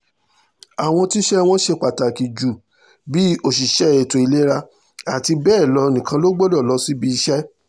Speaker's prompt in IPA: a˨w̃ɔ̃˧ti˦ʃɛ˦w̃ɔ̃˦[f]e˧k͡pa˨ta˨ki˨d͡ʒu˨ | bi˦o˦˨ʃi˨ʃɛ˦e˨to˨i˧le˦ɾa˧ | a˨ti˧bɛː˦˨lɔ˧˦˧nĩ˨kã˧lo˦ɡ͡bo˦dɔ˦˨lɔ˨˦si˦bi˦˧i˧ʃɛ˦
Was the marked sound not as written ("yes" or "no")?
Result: yes